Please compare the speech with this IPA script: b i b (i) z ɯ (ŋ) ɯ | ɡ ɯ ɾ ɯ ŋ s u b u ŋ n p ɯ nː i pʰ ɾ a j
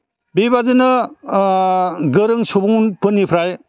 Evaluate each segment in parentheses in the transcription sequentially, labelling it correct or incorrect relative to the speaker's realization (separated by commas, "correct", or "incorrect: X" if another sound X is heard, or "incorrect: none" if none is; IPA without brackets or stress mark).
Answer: incorrect: a, incorrect: n